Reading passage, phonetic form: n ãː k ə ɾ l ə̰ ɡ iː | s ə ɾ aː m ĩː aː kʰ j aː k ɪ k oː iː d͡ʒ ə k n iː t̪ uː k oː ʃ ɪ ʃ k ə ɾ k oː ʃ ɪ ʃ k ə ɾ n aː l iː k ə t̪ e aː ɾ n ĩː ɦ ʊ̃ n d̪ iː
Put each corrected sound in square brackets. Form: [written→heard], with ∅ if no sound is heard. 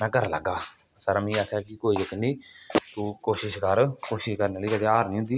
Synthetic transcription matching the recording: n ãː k ə ɾ l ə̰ ɡ [iː→aː] | s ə ɾ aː m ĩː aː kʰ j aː k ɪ k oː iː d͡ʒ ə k n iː t̪ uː k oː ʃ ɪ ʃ k ə ɾ k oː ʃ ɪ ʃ k ə ɾ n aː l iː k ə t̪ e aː ɾ n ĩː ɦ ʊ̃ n d̪ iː